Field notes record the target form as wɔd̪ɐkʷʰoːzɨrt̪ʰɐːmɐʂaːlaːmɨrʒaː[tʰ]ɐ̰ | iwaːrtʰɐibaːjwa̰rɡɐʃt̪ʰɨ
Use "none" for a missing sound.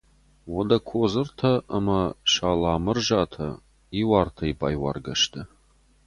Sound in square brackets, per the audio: tʰ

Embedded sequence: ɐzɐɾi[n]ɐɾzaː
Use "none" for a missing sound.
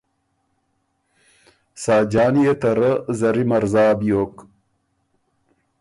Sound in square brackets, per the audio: m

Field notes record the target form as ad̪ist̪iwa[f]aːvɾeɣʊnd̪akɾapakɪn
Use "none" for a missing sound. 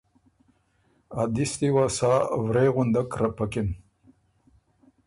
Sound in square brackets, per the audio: s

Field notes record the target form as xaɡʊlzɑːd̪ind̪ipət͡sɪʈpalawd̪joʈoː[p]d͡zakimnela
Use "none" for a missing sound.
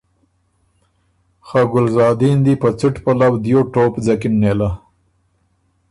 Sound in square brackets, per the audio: p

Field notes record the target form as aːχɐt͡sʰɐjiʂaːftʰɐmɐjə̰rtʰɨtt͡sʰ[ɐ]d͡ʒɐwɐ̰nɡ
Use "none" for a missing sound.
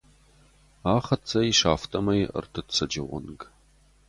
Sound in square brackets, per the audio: ɐ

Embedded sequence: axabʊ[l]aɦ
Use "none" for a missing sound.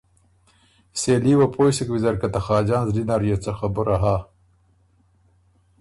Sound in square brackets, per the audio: ɾ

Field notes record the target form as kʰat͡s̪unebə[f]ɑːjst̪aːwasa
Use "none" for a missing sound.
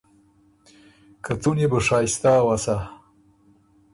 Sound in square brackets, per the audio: ʂ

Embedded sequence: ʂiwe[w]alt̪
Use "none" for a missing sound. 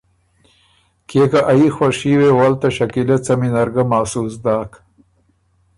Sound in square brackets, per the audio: w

